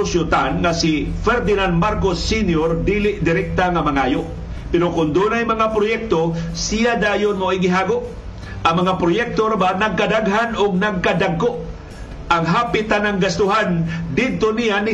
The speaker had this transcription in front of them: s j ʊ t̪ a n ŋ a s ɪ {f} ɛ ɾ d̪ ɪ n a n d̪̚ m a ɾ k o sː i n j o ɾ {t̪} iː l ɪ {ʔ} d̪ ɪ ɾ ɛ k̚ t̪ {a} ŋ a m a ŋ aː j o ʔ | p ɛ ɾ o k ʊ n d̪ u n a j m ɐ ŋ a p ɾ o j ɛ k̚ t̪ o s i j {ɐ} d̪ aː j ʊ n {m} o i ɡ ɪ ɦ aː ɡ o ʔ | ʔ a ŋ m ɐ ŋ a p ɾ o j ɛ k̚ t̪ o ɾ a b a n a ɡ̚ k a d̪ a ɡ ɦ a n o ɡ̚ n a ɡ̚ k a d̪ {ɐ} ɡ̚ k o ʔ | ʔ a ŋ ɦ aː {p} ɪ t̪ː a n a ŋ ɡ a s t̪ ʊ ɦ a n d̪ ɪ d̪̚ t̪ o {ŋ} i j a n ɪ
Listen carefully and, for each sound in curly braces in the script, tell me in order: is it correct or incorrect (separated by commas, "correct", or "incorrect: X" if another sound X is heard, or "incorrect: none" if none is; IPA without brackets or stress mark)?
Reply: correct, incorrect: d̪, correct, correct, incorrect: a, correct, incorrect: a, correct, incorrect: n